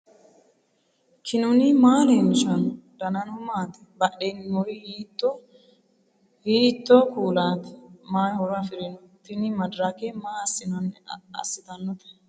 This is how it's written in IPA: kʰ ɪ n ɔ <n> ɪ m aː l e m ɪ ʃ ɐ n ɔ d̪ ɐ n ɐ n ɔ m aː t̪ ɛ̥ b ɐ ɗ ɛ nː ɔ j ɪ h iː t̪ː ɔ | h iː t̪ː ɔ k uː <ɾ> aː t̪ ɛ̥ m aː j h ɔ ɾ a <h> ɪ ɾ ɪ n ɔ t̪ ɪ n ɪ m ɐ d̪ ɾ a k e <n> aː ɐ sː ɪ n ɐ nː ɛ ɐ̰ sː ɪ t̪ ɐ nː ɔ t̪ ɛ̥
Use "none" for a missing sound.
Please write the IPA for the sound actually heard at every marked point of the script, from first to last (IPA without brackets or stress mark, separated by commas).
n, l, f, m